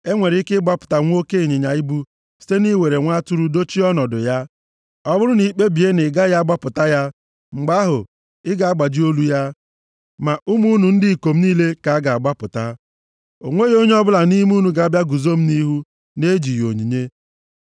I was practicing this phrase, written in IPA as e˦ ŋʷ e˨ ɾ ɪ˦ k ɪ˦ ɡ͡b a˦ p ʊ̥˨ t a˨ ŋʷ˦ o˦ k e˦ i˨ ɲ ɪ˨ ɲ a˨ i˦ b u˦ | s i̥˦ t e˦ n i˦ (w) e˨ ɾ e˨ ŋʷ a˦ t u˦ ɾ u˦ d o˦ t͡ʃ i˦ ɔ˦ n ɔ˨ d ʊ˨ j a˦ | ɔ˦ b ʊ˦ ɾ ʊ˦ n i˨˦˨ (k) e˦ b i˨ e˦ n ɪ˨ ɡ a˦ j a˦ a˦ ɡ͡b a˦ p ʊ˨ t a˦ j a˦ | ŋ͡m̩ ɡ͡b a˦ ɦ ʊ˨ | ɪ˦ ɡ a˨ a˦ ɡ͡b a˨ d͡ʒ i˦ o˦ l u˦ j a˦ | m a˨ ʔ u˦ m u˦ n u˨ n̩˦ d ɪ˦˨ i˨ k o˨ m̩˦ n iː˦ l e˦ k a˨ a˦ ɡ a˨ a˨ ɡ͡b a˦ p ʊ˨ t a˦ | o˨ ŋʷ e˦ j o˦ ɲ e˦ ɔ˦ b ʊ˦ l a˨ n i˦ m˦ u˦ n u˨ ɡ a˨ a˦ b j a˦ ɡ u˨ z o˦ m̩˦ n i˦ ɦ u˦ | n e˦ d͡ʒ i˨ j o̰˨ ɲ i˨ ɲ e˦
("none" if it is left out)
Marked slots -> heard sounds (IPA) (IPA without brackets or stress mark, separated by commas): w, k͡p